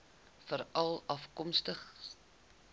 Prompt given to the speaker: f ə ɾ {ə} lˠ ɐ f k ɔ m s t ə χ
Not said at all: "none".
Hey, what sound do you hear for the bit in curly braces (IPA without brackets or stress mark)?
ɐ